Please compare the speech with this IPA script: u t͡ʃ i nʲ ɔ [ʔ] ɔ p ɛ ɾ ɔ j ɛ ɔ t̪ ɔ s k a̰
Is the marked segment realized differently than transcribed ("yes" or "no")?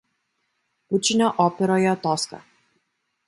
no